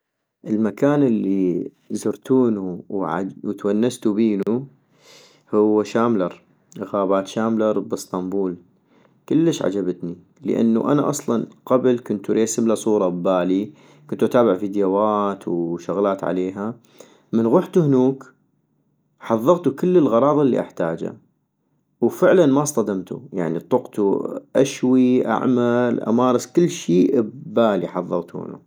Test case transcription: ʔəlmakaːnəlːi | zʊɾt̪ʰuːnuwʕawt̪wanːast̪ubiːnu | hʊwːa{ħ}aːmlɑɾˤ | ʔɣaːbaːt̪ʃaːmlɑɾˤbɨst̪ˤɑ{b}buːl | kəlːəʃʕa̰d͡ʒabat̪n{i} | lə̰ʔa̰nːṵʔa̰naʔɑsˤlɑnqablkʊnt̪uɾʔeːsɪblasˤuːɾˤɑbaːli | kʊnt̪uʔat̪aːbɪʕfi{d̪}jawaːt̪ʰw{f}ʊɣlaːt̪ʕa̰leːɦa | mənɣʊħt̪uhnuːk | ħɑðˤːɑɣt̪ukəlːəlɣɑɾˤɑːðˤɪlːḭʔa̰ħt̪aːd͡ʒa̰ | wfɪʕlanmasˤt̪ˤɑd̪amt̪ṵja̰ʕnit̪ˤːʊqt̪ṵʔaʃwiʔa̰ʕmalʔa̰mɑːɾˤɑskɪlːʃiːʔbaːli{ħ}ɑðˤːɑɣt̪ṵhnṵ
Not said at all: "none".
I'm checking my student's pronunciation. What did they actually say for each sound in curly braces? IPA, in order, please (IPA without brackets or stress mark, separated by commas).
ʃ, m, i, d̪, ʃ, ħ